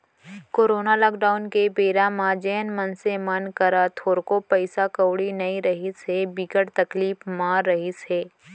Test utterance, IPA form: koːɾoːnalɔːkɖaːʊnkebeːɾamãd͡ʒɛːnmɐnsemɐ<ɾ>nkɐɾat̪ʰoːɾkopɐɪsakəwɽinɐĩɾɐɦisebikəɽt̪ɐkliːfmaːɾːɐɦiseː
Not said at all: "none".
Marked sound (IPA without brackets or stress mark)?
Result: none